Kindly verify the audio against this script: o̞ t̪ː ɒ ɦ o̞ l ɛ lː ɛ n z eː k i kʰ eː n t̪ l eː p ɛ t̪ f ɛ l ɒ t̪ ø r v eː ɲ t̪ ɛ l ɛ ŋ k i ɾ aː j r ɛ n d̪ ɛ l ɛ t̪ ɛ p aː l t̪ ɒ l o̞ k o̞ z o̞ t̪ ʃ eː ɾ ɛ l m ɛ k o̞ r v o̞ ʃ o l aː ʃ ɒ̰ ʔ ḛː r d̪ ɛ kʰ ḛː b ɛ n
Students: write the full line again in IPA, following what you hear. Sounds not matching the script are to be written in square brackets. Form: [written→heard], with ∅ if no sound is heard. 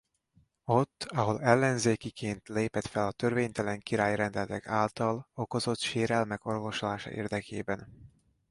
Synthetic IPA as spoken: o̞ t̪ː ɒ ɦ o̞ l ɛ lː ɛ n z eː k i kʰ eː n t̪ l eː p ɛ t̪ f ɛ l ɒ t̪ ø r v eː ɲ t̪ ɛ l ɛ ŋ k i ɾ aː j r ɛ n d̪ ɛ l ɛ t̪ ɛ [p→k] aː l t̪ ɒ l o̞ k o̞ z o̞ t̪ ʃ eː ɾ ɛ l m ɛ k o̞ r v o̞ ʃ o l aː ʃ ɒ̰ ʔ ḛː r d̪ ɛ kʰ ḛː b ɛ n